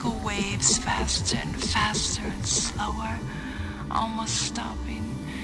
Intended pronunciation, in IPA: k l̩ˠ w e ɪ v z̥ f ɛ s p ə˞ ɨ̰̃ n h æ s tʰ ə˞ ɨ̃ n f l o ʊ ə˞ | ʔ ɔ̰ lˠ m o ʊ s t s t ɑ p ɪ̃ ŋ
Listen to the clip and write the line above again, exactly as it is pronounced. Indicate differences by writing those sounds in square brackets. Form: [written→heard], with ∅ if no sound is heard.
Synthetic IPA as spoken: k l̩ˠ w e ɪ v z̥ f [ɛ→æ] s [p→t] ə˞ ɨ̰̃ n [h→f] æ s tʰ ə˞ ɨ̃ n [f→s] l o ʊ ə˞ | ʔ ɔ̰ lˠ m o ʊ s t s t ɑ p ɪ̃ ŋ